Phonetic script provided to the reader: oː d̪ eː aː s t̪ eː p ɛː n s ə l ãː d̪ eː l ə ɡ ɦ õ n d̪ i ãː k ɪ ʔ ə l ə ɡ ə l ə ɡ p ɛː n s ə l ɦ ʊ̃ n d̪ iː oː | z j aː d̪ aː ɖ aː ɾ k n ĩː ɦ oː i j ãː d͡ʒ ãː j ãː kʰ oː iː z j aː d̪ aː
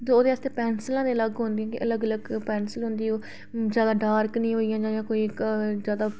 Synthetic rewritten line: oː d̪ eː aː s t̪ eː p ɛː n s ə l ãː d̪ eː l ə ɡ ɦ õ n d̪ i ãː k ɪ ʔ ə l ə ɡ ə l ə ɡ p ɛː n s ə l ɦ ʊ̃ n d̪ iː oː | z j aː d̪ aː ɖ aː ɾ k n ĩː ɦ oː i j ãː d͡ʒ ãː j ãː k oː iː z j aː d̪ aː